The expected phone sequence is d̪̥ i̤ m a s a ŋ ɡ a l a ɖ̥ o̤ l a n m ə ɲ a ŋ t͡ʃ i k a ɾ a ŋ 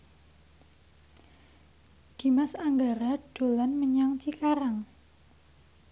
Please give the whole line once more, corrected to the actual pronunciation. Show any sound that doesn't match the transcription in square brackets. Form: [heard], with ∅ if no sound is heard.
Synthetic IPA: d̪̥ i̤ m a s a ŋ ɡ a [ɾ] a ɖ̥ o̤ l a n m ə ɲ a ŋ t͡ʃ i k a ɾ a ŋ